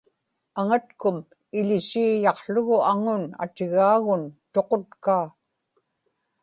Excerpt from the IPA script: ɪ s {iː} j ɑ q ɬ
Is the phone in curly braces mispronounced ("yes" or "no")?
no